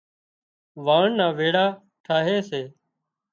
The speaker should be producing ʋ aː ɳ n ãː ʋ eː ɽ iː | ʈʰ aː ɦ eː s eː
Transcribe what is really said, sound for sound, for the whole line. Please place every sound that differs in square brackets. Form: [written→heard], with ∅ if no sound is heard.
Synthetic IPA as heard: ʋ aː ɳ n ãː ʋ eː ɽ [iː→aː] | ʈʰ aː ɦ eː s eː